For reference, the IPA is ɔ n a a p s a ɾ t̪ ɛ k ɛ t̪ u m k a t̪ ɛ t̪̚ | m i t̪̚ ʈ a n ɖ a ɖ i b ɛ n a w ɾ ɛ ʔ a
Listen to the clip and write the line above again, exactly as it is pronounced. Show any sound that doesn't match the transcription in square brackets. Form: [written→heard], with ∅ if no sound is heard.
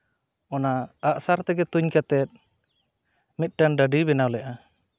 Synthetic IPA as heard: ɔ n a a [p→ʔ] s a ɾ t̪ ɛ [k→ɡ] ɛ t̪ u [m→ɲ] k a t̪ ɛ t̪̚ | m i t̪̚ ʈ a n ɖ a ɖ i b ɛ n a w [ɾ→l] ɛ ʔ a